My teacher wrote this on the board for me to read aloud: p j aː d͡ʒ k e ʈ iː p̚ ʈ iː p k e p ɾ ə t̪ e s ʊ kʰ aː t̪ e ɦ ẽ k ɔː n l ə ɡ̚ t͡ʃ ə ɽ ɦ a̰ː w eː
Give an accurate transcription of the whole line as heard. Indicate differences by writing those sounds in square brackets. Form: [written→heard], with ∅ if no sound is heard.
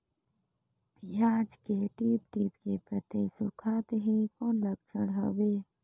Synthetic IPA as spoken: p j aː d͡ʒ k e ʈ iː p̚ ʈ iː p k e p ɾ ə t̪ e s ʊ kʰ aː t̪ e ɦ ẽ k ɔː n l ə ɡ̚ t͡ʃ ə ɽ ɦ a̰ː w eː

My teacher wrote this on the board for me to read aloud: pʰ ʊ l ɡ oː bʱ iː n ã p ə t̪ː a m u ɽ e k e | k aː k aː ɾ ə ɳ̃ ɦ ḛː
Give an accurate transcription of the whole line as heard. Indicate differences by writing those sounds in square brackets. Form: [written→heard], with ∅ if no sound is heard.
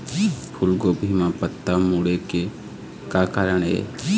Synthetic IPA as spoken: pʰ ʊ l ɡ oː bʱ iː [n→m] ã p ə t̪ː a m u ɽ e k e | k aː k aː ɾ ə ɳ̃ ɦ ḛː

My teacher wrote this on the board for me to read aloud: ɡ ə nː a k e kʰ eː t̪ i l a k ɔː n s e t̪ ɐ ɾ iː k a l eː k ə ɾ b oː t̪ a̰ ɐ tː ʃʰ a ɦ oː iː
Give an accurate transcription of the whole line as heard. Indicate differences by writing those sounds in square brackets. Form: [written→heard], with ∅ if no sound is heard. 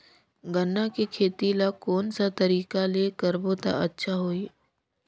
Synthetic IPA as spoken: ɡ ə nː a k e kʰ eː t̪ i l a k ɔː n s [e→a] t̪ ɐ ɾ iː k a l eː k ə ɾ b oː t̪ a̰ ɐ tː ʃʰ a ɦ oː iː

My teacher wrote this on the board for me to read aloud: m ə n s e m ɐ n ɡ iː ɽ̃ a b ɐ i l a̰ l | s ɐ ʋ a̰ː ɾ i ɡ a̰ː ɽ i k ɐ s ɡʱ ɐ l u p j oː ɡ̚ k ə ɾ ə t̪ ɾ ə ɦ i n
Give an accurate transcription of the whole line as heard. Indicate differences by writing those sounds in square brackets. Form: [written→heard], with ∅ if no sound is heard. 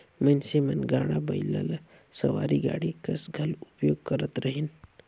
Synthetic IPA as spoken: m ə n s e m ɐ n ɡ [iː→aː] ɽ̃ a b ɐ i l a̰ l | s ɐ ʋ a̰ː ɾ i ɡ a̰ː ɽ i k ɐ s ɡʱ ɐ l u p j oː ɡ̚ k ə ɾ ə t̪ ɾ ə ɦ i n

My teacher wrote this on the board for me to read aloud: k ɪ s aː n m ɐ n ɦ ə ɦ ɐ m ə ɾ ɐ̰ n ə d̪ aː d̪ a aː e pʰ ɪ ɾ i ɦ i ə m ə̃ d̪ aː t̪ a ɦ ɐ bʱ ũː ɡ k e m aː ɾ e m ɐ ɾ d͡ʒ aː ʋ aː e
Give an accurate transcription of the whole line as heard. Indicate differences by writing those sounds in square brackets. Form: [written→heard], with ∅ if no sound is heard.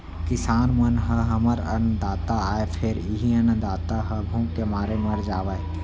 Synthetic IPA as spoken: k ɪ s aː n m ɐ n ɦ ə ɦ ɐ m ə ɾ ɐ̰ n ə d̪ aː [d̪→t̪] a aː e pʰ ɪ ɾ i ɦ i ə [m→n] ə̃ d̪ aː t̪ a ɦ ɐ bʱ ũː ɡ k e m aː ɾ e m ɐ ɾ d͡ʒ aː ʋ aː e

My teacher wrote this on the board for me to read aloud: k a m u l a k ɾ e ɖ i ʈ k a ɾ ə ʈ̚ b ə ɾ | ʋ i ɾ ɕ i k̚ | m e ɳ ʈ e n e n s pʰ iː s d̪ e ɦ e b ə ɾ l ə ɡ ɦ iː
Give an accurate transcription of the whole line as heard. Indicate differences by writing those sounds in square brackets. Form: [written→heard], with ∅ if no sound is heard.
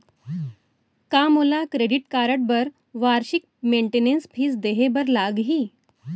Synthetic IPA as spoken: k a m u l a k ɾ e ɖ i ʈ k a ɾ ə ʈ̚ b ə ɾ | ʋ [i→a] ɾ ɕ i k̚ | m e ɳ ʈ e n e n s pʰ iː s d̪ e ɦ e b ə ɾ l [ə→a] ɡ ɦ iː

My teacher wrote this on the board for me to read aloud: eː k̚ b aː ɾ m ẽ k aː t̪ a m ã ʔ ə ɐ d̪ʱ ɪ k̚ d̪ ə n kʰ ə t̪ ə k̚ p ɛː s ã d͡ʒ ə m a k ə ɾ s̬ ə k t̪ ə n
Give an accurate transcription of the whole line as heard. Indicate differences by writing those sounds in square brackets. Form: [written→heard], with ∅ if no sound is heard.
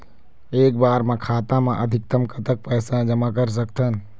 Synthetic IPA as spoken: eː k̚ b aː ɾ m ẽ [k→kʰ] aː t̪ a m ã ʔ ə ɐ d̪ʱ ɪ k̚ [d̪→t̪] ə [n→m] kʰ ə t̪ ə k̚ p ɛː s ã d͡ʒ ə m a k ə ɾ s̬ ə k t̪ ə n

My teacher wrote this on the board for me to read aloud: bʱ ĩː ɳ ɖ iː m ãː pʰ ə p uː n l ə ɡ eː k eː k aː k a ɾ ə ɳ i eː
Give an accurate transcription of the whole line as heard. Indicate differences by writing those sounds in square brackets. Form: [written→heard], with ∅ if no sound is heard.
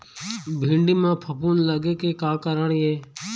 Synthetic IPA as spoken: bʱ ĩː ɳ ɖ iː m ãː pʰ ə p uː n l ə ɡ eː k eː k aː k [a→ə] ɾ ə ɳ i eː

